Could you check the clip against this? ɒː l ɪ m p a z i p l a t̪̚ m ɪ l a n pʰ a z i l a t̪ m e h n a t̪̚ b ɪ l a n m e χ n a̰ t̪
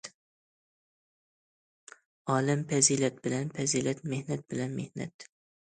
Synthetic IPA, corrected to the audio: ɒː l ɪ m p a z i l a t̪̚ b ɪ l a n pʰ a z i l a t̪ m e h n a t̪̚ b ɪ l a n m e h n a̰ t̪